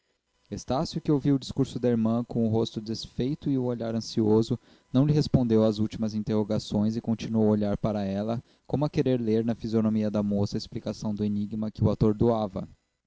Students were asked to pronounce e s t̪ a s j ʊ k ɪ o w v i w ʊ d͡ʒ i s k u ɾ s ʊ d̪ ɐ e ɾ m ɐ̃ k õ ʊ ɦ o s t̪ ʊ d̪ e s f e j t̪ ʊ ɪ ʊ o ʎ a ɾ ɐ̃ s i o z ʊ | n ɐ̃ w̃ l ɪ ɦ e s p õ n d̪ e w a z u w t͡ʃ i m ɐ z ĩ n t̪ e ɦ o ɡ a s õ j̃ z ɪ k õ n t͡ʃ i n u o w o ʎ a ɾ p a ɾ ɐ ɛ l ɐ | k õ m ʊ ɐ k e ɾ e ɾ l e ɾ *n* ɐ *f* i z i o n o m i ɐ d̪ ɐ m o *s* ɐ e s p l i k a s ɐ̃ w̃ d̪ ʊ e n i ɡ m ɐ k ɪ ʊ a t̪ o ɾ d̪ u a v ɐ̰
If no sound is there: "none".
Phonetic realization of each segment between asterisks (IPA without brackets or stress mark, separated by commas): n, f, s